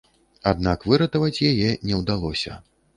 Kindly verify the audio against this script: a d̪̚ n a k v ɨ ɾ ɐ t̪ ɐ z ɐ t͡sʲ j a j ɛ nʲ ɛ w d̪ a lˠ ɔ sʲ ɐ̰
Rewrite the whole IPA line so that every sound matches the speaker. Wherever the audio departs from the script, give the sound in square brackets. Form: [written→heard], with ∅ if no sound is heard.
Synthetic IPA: a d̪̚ n a k v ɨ ɾ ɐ t̪ ɐ [z→v] ɐ t͡sʲ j a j ɛ nʲ ɛ w d̪ a lˠ ɔ sʲ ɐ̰